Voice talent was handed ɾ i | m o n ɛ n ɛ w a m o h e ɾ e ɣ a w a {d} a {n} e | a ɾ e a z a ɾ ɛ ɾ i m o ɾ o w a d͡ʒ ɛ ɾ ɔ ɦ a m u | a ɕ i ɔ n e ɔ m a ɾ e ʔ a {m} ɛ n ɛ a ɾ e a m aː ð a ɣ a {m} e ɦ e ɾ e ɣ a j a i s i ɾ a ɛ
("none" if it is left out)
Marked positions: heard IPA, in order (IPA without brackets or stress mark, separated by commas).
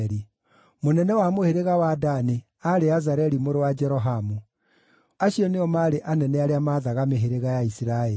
d, n, n, m